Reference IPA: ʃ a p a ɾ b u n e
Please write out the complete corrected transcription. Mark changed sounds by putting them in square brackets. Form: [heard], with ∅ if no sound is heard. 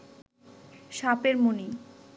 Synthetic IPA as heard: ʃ a p [e] ɾ [m] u n [i]

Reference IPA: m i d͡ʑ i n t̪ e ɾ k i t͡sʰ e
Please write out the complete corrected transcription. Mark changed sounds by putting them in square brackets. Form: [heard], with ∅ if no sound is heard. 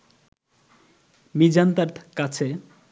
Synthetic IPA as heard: m i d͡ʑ [a] n t̪ [a] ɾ k [a] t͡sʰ e

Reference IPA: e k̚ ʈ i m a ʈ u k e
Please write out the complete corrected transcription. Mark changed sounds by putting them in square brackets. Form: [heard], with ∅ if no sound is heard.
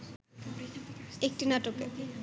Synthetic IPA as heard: e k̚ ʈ i [n] a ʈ [o] k e

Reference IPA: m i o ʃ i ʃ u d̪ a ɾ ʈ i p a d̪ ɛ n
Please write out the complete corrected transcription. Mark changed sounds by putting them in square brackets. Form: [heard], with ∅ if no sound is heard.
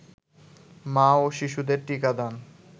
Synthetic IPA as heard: m [a] o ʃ i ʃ u d̪ [e] ɾ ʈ i [k] a d̪ [a] n

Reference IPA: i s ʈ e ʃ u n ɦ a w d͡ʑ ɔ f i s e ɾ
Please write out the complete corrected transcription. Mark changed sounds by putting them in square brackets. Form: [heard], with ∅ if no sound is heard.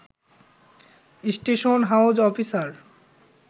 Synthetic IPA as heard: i s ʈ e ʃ [o] n ɦ a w d͡ʑ ɔ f i s [a] ɾ

